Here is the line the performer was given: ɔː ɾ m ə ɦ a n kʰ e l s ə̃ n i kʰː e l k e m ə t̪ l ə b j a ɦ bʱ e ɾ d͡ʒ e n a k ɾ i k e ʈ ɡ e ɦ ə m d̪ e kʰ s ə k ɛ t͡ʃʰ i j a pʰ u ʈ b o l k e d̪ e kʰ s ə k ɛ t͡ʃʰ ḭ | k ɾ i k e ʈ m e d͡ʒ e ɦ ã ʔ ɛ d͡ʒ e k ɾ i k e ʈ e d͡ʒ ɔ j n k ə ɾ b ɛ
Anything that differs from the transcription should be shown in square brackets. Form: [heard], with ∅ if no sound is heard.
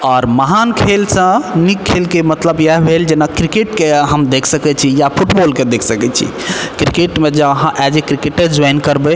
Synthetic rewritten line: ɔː ɾ m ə ɦ a n kʰ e l s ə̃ n i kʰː e l k e m ə t̪ l ə b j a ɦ bʱ e [l] d͡ʒ e n a k ɾ i k e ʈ [k] e ɦ ə m d̪ e kʰ s ə k ɛ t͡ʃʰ i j a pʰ u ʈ b o l k e d̪ e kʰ s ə k ɛ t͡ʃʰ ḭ | k ɾ i k e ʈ m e d͡ʒ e ɦ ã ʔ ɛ d͡ʒ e k ɾ i k e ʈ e d͡ʒ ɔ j n k ə ɾ b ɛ